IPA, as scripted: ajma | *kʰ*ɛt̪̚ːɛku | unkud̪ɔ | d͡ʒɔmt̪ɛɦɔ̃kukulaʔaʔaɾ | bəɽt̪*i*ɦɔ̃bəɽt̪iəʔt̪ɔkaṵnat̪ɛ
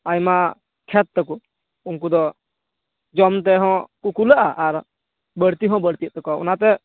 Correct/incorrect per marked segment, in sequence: correct, correct

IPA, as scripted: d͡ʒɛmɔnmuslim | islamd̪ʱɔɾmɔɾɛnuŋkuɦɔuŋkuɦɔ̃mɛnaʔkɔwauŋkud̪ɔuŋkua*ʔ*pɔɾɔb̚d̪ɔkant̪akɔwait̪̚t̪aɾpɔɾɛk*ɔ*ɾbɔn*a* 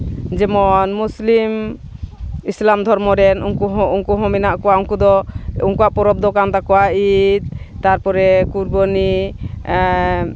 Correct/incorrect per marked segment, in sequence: correct, incorrect, incorrect

